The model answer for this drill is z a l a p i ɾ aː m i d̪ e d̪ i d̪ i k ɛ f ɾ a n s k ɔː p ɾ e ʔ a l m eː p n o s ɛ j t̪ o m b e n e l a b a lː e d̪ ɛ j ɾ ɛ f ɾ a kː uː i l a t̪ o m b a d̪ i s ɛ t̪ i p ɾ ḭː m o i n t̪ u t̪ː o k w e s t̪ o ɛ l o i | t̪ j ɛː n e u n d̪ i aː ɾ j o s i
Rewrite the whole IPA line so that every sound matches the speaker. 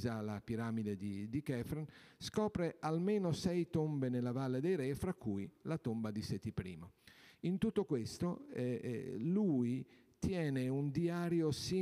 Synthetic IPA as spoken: z a l a p i ɾ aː m i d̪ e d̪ i d̪ i k ɛ f ɾ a n s k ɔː p ɾ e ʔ a l m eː n o s ɛ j t̪ o m b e n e l a v a lː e d̪ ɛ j ɾ ɛ f ɾ a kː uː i l a t̪ o m b a d̪ i s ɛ t̪ i p ɾ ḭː m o i n t̪ u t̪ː o k w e s t̪ o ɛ l u i | t̪ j ɛː n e u n d̪ i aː ɾ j o s i